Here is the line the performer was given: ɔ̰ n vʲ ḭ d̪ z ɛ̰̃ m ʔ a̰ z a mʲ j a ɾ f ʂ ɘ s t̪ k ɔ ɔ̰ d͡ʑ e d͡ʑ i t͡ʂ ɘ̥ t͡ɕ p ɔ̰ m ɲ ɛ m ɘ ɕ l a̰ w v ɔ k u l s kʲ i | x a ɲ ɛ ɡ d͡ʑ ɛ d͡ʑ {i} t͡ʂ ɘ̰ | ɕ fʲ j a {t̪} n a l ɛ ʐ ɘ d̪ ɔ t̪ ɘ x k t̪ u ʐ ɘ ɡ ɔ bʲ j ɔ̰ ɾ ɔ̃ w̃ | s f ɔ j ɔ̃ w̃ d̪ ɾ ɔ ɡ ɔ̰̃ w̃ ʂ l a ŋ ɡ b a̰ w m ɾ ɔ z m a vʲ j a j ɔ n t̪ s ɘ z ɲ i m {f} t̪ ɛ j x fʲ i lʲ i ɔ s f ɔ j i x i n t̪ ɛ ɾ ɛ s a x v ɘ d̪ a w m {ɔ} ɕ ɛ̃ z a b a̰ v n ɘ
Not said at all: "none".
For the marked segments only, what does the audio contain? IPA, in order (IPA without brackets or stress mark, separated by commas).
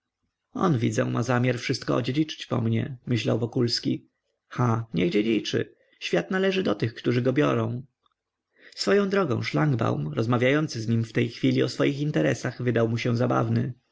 i, t̪, f, u